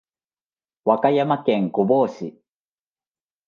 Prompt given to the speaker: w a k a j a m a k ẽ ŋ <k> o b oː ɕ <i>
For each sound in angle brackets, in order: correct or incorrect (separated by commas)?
correct, correct